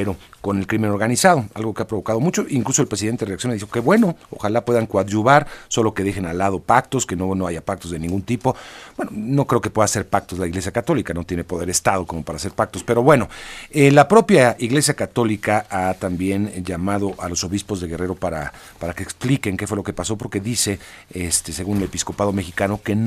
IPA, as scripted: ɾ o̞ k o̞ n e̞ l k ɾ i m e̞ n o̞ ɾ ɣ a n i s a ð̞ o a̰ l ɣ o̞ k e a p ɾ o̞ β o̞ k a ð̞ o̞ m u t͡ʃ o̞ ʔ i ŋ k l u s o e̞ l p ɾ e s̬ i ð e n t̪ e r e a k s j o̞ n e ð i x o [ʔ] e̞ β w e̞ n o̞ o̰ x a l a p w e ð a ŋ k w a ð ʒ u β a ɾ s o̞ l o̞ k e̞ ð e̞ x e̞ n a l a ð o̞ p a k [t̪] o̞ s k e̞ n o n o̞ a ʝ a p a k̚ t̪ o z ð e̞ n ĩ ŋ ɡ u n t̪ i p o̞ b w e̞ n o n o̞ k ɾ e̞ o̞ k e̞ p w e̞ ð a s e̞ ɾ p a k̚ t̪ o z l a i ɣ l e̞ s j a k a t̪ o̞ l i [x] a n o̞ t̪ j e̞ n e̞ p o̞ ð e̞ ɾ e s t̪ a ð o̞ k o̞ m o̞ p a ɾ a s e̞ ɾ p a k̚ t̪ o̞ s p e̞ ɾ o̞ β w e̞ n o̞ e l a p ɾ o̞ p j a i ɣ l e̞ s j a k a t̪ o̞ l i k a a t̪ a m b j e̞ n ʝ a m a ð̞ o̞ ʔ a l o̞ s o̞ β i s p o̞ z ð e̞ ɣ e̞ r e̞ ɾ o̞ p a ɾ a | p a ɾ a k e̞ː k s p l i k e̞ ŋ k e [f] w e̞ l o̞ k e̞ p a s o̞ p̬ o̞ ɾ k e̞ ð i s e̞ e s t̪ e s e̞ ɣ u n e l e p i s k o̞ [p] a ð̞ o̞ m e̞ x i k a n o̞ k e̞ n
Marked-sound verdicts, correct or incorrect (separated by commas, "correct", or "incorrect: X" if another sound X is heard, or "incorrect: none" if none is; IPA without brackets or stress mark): incorrect: k, correct, incorrect: k, correct, correct